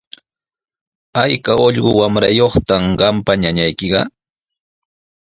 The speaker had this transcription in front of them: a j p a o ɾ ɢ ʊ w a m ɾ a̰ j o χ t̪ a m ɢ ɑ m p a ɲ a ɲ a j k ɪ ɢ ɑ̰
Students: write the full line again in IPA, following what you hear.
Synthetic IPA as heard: a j k a o ʎ ɢ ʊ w a m ɾ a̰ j o χ t̪ a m ɢ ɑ m p a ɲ a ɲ a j k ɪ ɢ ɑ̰